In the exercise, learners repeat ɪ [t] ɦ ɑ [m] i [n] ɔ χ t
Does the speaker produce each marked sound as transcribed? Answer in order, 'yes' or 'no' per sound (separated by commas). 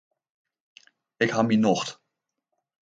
no, yes, yes